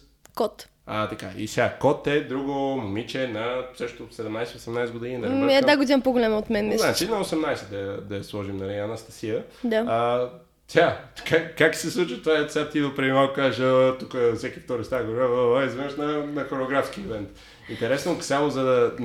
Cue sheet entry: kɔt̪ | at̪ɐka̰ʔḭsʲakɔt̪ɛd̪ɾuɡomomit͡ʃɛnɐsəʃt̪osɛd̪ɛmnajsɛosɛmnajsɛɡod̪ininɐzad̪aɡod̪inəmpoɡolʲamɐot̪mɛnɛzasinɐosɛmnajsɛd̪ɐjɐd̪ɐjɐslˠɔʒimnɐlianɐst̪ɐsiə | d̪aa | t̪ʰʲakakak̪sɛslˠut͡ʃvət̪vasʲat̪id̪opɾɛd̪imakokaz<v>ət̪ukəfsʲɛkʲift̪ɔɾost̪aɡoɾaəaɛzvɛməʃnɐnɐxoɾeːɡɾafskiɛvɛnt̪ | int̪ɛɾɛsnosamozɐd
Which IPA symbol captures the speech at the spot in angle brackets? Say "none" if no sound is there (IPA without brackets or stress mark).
ʒ